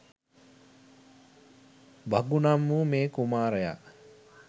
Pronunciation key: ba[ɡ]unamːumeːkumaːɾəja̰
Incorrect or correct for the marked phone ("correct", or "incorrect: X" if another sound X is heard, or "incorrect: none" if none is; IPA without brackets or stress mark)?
correct